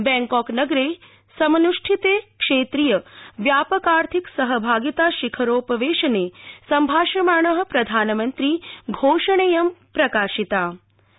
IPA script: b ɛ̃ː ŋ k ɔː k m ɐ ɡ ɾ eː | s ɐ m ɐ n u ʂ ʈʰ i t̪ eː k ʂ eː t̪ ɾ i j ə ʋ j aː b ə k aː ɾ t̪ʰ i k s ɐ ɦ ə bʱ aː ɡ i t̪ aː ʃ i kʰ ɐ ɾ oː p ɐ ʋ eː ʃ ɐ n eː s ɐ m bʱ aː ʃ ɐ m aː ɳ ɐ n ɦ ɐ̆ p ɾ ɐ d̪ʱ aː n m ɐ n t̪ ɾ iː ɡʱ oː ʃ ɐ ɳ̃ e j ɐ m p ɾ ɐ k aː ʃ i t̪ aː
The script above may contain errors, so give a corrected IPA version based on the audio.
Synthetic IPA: b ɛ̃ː ŋ k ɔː k n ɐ ɡ ɾ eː | s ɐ m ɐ n u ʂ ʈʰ i t̪ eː k ʂ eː t̪ ɾ i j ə ʋ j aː p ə k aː ɾ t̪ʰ i k s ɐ ɦ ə bʱ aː ɡ i t̪ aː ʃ i kʰ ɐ ɾ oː p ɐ ʋ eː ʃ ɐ n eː s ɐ m bʱ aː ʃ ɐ m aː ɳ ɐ ɦ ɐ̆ p ɾ ɐ d̪ʱ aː n m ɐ n t̪ ɾ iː ɡʱ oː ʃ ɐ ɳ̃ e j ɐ m p ɾ ɐ k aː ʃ i t̪ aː